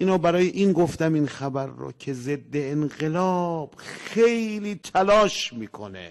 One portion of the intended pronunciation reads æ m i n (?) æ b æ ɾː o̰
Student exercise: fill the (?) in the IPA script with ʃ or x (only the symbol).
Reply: x